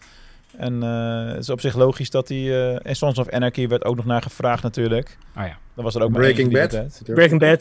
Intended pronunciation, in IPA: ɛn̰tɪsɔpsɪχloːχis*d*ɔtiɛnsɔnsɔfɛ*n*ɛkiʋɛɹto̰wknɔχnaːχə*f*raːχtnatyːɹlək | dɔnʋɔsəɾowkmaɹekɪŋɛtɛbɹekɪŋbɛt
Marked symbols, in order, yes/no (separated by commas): yes, yes, yes